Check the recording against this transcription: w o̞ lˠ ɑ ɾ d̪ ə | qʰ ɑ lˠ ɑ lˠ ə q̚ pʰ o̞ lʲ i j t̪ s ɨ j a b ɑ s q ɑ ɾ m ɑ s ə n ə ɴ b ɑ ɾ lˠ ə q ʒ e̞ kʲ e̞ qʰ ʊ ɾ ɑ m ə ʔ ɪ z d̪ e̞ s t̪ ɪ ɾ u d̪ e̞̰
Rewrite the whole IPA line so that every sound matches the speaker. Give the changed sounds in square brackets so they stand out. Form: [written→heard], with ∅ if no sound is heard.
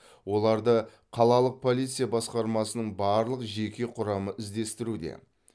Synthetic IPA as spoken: w o̞ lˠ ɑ ɾ d̪ ə | qʰ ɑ lˠ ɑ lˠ ə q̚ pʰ o̞ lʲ i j t̪ s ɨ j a b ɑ s q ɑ ɾ m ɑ s ə n ə ɴ b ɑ ɾ lˠ ə q ʒ e̞ kʲ e̞ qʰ ʊ ɾ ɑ m ə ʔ ɪ z d̪ e̞ s t̪ ɪ ɾ u d̪ e̞̰